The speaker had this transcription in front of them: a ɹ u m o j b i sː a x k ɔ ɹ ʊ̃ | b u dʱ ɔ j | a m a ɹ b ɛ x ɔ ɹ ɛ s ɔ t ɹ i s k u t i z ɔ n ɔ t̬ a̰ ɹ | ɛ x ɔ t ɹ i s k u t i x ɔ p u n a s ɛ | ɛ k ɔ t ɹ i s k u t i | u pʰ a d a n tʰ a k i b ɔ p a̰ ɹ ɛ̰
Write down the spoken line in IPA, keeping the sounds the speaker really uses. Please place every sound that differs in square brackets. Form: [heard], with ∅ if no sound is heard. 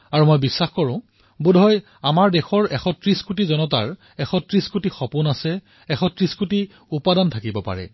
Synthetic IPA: a ɹ u m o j b i sː a x k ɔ ɹ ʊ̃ | b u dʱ ɔ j | a m a ɹ [d] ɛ x ɔ ɹ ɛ [x] ɔ t ɹ i s k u t i z ɔ n ɔ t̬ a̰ ɹ | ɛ x ɔ t ɹ i s k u t i x ɔ p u n a s ɛ | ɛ [x] ɔ t ɹ i s k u t i | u [p] a d a n tʰ a k i b ɔ p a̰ ɹ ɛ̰